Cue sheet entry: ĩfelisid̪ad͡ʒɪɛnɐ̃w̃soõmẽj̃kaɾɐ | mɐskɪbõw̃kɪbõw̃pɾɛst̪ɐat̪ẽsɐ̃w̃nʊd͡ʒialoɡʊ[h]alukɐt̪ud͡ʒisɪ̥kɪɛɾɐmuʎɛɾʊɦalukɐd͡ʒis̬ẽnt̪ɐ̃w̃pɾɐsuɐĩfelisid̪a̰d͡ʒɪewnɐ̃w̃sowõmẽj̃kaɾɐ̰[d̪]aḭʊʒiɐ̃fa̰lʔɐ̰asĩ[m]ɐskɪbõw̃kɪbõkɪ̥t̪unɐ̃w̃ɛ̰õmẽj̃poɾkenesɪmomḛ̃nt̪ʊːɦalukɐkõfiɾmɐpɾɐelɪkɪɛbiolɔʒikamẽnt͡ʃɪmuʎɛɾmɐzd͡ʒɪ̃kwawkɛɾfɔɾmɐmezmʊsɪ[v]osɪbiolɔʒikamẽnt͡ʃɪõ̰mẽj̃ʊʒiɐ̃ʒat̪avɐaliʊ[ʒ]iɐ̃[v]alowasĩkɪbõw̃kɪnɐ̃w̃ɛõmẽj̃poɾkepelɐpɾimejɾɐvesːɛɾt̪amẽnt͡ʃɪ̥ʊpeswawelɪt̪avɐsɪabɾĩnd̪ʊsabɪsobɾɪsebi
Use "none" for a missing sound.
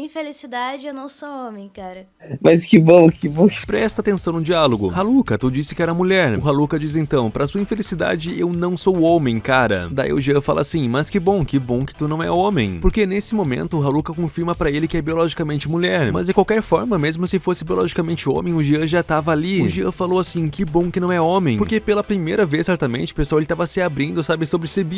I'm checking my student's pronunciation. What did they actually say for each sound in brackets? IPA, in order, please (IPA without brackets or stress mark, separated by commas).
h, d̪, m, f, ʒ, f